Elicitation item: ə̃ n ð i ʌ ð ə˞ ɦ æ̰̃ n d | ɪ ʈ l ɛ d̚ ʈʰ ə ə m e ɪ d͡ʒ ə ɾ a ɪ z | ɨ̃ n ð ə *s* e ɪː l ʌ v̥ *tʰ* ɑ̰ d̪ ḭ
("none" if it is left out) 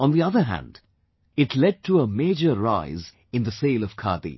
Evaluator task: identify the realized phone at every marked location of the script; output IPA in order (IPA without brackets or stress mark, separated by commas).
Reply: s, kʰ